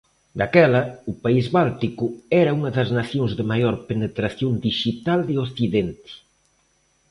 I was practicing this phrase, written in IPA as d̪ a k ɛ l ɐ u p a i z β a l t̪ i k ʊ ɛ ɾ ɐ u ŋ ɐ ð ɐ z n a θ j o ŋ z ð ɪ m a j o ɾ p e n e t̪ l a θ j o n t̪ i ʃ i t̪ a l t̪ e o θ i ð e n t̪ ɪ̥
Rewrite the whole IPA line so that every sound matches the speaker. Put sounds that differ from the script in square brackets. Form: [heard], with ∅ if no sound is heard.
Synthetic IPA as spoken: d̪ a k ɛ l ɐ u p a i z β a l t̪ i k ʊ ɛ ɾ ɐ u ŋ ɐ ð ɐ z n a θ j o ŋ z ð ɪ m a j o ɾ p e n e t̪ [ɾ] a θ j o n [d̪] i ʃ i t̪ a l [d̪] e o θ i ð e n t̪ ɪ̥